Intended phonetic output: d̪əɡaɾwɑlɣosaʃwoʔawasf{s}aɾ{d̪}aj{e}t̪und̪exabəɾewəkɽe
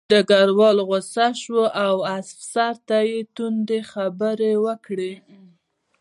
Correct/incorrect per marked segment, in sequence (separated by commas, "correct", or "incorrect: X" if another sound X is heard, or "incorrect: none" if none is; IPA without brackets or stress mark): correct, incorrect: t̪, correct